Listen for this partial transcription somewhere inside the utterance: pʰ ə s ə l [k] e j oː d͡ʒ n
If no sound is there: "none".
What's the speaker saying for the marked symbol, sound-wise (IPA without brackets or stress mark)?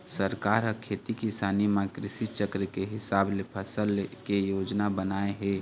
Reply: k